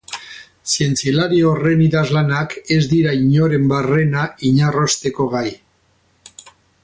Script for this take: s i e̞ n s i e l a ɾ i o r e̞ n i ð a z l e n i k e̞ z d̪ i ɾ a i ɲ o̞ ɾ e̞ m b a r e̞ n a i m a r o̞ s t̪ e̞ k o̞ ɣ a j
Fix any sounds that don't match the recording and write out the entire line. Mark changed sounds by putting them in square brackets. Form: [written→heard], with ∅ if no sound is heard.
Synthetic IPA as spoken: s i e̞ n [s→t͡s] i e l a ɾ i o r e̞ n i ð a z l [e→a] n [i→a] k e̞ z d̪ i ɾ a i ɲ o̞ ɾ e̞ m b a r e̞ n a i [m→ɲ] a r o̞ s t̪ e̞ k o̞ ɣ a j